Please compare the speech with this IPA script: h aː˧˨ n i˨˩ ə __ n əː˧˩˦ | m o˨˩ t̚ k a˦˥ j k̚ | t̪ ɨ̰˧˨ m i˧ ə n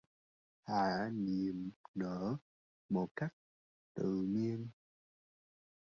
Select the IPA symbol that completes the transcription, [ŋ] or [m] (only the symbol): m